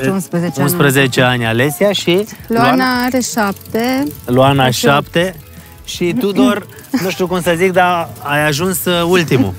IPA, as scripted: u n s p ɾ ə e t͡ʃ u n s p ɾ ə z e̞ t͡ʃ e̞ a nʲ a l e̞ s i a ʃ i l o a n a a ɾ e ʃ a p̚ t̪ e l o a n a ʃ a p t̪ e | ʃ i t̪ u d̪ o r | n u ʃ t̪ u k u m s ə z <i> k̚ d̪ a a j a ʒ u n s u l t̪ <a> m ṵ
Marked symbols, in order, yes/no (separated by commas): yes, no